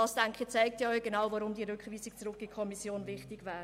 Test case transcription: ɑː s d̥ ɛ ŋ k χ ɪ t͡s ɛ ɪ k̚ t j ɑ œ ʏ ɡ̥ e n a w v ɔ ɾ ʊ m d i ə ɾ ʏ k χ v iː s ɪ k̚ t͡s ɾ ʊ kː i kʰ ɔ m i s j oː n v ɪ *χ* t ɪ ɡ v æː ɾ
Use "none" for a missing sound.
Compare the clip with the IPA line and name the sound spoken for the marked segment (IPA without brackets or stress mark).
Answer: χ